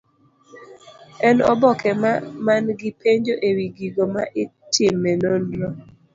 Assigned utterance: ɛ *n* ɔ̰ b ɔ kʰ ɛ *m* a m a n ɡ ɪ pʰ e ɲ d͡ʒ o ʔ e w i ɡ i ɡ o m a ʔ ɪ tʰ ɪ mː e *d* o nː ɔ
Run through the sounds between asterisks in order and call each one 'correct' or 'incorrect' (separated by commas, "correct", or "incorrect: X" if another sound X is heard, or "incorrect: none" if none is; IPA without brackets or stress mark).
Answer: correct, correct, incorrect: n